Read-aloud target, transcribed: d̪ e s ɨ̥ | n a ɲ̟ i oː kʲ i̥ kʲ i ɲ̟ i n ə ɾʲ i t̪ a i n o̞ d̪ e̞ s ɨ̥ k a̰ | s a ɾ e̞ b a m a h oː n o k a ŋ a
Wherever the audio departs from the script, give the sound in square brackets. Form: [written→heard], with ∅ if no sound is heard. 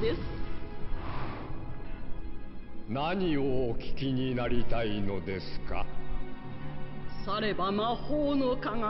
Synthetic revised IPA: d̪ e s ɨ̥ | n a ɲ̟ i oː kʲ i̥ kʲ i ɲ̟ i n [ə→a] ɾʲ i t̪ a i n o̞ d̪ e̞ s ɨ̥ k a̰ | s a ɾ e̞ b a m a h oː n o k a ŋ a